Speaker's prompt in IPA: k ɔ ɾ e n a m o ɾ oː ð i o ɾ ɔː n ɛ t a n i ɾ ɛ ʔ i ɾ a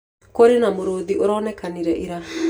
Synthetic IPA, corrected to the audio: k o ɾ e n a m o ɾ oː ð i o ɾ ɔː n ɛ k a n i ɾ ɛ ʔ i ɾ a